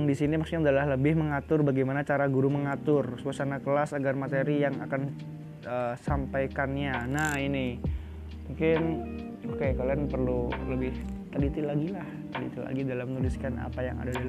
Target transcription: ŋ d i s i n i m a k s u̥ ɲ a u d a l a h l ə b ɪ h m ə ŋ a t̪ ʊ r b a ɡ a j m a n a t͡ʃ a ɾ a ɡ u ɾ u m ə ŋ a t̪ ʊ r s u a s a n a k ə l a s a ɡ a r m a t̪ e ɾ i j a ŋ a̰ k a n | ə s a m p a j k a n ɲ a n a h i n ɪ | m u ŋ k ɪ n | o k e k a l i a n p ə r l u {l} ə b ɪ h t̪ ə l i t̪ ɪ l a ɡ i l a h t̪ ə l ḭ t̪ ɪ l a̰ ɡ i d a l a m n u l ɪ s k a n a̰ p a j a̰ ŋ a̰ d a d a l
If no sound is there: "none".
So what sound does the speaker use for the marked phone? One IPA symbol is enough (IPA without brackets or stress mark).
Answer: l